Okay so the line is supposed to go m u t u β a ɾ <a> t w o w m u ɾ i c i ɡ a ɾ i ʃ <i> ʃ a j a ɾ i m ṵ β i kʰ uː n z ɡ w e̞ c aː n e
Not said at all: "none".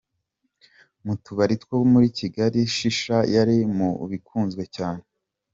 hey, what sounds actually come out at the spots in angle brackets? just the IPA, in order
i, i

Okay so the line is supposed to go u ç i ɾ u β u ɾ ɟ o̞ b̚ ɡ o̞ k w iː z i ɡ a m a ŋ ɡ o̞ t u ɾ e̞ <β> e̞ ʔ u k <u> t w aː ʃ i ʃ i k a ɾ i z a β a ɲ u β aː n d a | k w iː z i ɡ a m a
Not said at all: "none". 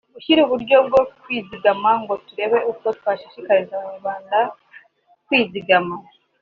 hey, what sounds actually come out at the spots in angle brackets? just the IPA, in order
β, o

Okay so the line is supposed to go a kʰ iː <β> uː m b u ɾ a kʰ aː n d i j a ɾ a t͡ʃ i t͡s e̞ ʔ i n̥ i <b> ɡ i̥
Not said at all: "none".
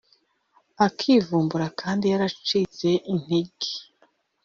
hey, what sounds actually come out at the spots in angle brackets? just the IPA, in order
v, none

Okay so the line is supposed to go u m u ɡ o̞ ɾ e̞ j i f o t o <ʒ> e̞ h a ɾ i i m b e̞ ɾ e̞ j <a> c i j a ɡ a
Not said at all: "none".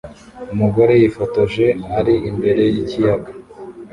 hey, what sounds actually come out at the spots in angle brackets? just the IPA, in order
ʒ, i

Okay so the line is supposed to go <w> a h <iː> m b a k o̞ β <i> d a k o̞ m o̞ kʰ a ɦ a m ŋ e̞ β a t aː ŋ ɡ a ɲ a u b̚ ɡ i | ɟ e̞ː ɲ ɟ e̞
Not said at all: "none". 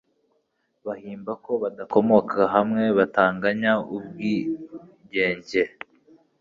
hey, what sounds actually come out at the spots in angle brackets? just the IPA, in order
β, iː, a

